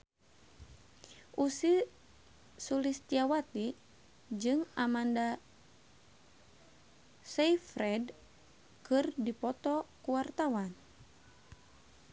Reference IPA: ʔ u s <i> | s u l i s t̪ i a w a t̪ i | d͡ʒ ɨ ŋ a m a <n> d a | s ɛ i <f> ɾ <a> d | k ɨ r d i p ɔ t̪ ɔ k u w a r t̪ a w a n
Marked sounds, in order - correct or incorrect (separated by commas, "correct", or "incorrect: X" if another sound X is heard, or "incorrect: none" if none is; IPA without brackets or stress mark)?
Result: correct, correct, correct, incorrect: ɛ